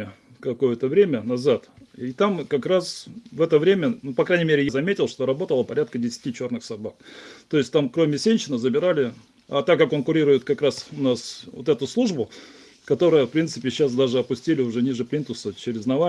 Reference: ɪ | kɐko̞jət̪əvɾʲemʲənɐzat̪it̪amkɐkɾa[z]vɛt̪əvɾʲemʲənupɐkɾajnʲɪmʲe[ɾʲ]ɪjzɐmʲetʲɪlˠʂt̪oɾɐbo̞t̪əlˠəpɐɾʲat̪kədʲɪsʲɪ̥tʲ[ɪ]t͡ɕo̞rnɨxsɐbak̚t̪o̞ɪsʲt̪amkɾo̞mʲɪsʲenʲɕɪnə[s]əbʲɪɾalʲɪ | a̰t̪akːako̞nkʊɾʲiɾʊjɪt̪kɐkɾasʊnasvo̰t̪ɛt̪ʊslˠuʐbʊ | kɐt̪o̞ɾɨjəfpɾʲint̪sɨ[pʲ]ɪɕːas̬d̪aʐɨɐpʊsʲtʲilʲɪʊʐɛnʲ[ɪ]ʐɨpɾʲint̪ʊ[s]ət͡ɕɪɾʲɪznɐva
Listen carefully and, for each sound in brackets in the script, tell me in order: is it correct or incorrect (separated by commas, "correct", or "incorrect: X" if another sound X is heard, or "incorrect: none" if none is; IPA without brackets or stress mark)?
incorrect: s, correct, incorrect: i, incorrect: z, correct, incorrect: i, correct